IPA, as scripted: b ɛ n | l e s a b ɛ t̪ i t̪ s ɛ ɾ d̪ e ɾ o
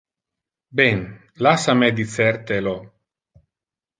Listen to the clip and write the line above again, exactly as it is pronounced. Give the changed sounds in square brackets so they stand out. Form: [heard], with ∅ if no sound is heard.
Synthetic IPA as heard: b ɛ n | l [a] s a [m] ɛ [d̪] i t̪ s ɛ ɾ [t̪] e [l] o